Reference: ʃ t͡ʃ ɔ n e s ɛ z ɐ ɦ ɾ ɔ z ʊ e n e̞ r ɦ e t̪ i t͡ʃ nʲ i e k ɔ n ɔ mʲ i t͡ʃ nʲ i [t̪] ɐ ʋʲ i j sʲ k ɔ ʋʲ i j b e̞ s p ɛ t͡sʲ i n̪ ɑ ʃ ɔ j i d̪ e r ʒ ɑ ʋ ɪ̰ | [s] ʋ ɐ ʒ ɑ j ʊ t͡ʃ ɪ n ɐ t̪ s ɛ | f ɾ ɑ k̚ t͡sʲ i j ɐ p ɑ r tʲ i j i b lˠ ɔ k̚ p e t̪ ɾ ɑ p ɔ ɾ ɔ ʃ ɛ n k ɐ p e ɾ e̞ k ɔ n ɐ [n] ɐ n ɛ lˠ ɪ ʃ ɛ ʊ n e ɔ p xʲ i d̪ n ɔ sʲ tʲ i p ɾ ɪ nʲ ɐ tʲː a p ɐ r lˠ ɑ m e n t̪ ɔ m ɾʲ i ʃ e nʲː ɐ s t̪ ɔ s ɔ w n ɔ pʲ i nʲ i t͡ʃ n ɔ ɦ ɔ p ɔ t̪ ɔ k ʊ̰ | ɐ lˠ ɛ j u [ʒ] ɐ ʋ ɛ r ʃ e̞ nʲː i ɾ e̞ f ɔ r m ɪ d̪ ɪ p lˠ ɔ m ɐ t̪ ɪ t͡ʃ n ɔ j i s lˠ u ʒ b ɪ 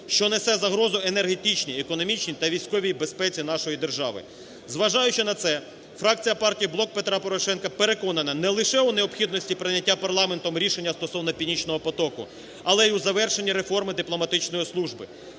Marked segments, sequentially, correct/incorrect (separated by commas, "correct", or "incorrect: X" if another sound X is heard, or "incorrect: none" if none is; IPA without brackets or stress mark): correct, incorrect: z, correct, incorrect: z